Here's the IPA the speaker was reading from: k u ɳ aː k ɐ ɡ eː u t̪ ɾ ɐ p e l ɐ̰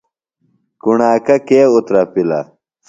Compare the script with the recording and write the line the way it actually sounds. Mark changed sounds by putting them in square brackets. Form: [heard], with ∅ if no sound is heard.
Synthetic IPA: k u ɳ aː k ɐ [k] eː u t̪ ɾ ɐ p [i] l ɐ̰